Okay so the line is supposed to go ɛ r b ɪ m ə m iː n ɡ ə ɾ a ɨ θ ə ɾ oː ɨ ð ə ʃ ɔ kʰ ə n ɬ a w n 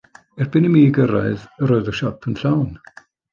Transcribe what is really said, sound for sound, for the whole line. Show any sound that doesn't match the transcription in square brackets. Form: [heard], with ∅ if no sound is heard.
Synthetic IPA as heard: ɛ r b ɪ [n] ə m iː [∅] ɡ ə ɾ a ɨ [ð] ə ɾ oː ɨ ð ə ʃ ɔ [pʰ] ə n ɬ a w n